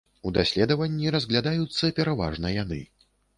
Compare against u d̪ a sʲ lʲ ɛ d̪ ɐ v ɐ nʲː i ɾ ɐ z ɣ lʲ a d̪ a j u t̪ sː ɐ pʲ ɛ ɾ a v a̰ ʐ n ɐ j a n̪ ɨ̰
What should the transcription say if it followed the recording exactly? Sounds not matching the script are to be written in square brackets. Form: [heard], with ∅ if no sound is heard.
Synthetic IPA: u d̪ a sʲ lʲ ɛ d̪ ɐ v ɐ nʲː i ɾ ɐ z ɣ lʲ a d̪ a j u t̪ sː ɐ pʲ ɛ ɾ a v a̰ ʐ n ɐ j a n̪ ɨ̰